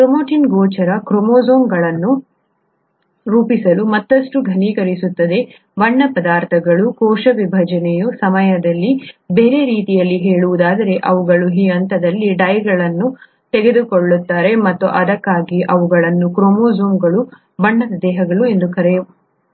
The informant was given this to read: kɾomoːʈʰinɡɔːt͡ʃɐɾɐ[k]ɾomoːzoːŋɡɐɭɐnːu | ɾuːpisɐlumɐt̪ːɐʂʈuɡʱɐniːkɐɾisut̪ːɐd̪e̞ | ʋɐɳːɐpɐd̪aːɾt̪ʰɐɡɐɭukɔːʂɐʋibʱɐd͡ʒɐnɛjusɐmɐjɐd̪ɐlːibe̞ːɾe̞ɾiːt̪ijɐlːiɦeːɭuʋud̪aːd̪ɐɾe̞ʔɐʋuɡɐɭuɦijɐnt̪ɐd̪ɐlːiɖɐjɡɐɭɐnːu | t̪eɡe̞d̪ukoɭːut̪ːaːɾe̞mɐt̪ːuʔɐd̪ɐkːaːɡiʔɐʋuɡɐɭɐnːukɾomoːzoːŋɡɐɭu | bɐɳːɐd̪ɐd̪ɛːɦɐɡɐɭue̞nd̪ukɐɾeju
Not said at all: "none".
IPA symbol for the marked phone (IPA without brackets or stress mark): k